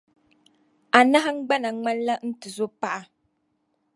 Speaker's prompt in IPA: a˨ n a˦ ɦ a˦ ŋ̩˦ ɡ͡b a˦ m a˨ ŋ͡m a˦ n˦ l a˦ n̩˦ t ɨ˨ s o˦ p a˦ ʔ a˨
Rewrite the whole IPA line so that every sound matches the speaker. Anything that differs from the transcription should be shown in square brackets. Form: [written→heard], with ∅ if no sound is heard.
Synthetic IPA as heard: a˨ n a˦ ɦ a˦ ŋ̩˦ ɡ͡b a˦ [m→n] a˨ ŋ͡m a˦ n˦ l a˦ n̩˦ t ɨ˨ [s→z] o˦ p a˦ ʔ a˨